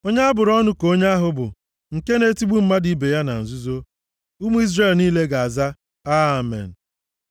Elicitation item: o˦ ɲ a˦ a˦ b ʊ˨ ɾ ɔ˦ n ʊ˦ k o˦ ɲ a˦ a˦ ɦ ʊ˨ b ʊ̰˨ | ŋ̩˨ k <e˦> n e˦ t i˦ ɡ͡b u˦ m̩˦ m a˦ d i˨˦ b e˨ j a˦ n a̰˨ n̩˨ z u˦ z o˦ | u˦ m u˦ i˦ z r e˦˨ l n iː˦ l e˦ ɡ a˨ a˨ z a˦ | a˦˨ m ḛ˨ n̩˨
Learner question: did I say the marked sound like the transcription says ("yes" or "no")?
yes